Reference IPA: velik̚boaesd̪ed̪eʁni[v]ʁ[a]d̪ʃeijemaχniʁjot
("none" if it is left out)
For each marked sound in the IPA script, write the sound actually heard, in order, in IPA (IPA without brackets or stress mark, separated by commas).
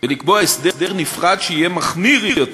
f, a